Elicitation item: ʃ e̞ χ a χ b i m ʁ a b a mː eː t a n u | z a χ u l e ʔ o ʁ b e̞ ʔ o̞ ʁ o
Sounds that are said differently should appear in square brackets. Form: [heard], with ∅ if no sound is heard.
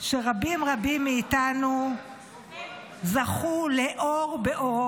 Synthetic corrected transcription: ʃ e̞ [ʁ] a [∅] b i m ʁ a b [i] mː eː t a n u | z a χ u l e ʔ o ʁ b e̞ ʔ o̞ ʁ o